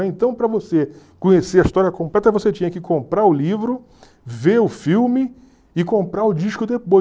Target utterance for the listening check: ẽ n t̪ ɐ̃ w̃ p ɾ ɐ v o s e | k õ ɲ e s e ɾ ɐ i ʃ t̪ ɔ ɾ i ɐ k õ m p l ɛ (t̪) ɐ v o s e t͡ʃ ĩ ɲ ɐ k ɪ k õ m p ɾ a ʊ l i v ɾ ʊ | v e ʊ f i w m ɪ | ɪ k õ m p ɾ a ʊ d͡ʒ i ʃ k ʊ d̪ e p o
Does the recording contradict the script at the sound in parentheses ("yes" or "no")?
no